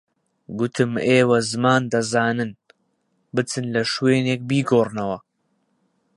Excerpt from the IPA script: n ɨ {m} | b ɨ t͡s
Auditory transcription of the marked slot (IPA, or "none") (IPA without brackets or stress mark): n